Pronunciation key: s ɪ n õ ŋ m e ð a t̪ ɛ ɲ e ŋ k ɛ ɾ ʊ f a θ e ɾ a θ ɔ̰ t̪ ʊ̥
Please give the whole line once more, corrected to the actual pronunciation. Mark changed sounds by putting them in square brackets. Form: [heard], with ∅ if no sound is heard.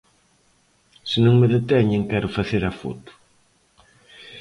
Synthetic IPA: s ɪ n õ ŋ m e ð [e] t̪ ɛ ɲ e ŋ k ɛ ɾ ʊ f a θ e ɾ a [f] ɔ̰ t̪ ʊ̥